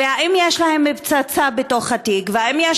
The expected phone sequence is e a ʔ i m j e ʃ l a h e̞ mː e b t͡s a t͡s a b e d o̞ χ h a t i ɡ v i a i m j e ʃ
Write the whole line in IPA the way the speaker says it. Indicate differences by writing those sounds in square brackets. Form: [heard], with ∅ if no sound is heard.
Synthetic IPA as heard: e a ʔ i m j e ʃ l a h e̞ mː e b t͡s a t͡s a b e [t] o̞ χ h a t i ɡ v [e] a i m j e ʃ